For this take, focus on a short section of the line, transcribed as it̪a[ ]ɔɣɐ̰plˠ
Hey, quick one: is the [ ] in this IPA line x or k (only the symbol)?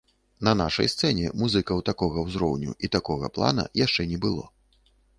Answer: k